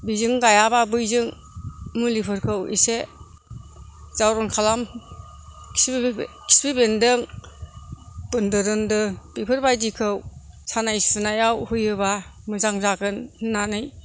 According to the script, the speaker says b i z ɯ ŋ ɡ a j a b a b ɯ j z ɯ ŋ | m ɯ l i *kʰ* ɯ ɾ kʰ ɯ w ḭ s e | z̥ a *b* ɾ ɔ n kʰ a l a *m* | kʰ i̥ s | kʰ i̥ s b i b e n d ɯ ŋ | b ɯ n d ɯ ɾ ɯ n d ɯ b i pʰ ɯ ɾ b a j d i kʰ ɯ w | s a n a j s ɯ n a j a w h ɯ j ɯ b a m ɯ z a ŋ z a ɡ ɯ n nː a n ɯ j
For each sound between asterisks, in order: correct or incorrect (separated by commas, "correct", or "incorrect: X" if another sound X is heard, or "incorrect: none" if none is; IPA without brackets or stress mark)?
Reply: incorrect: pʰ, incorrect: w, correct